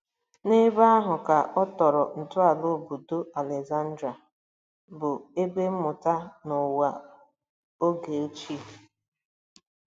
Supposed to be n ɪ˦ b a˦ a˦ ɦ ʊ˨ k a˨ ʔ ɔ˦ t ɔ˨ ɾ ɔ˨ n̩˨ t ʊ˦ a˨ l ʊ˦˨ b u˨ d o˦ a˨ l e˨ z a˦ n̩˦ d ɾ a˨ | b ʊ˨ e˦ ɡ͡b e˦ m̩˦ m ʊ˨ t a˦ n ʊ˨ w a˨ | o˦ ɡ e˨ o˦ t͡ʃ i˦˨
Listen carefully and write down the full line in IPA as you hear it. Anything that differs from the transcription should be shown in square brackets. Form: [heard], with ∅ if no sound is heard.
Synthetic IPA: n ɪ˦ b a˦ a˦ ɦ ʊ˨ k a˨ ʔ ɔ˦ t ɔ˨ ɾ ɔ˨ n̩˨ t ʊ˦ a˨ l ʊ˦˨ b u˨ d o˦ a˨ l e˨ z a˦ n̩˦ d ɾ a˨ | b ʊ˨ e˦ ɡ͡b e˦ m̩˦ m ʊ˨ t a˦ n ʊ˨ w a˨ | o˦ ɡ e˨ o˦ t͡ʃ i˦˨